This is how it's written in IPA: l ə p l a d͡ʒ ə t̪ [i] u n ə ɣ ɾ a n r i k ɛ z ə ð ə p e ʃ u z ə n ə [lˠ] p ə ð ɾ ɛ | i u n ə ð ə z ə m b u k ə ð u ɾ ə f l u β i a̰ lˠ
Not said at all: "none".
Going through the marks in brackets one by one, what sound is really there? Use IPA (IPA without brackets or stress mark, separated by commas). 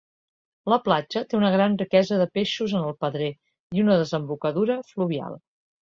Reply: e, lˠ